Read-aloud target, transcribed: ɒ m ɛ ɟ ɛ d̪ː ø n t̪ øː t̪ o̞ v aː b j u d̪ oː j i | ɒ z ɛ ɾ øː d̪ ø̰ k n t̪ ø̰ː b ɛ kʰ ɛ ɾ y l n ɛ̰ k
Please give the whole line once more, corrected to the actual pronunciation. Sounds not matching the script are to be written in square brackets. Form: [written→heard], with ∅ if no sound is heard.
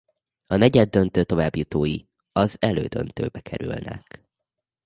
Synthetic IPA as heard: ɒ [m→n] ɛ ɟ ɛ d̪ː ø n t̪ øː t̪ o̞ v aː b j u [d̪→t̪] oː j i | ɒ z ɛ [ɾ→l] øː d̪ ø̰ [k→∅] n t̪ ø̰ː b ɛ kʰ ɛ ɾ y l n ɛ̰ k